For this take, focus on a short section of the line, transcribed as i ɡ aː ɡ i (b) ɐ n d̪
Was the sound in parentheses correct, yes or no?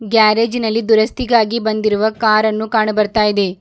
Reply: yes